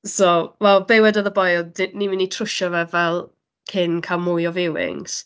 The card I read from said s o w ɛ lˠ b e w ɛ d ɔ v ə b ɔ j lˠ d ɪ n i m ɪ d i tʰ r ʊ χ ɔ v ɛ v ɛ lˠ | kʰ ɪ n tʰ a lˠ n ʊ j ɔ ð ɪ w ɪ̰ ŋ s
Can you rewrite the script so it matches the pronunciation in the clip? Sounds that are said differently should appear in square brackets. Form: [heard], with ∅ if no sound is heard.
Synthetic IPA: s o w ɛ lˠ b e w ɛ d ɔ [ð] ə b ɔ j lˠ d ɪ n i m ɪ [n] i tʰ r ʊ [ʃ] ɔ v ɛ v ɛ lˠ | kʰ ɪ n [kʰ] a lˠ [m] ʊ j ɔ [v] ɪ w ɪ̰ ŋ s